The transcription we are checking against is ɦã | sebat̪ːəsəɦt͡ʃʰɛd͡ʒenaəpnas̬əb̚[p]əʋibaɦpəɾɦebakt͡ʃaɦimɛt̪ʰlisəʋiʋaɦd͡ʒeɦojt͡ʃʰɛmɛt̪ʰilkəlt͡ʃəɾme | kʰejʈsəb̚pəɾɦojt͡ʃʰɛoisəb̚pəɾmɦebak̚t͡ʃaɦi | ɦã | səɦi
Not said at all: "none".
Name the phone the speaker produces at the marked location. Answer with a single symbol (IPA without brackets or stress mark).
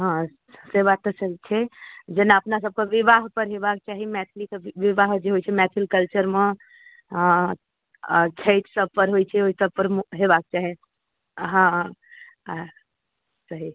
k